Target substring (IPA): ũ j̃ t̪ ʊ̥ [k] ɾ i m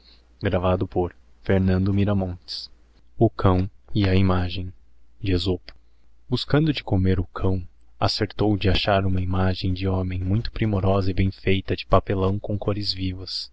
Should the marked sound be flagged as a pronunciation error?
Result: yes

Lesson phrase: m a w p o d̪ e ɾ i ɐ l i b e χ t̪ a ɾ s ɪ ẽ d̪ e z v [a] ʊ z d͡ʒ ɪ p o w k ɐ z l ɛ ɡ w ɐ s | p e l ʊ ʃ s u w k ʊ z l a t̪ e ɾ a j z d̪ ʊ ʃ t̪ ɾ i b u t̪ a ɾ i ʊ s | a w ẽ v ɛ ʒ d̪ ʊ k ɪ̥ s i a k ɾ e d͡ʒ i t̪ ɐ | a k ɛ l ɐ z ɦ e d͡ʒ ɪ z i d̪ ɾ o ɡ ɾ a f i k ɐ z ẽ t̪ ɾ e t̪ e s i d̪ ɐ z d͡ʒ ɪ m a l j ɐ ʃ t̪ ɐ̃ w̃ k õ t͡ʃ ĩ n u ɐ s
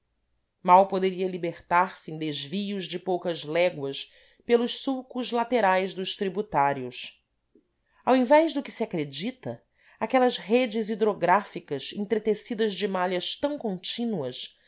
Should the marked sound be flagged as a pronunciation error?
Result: yes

